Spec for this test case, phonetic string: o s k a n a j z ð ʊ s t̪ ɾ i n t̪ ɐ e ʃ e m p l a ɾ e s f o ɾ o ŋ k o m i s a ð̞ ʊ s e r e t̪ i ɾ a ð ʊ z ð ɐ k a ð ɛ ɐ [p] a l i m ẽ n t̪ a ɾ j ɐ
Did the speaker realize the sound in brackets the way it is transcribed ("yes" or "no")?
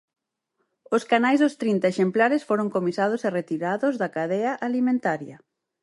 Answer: no